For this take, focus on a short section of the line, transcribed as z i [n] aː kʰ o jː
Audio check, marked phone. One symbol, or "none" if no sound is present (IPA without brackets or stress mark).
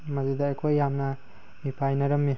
d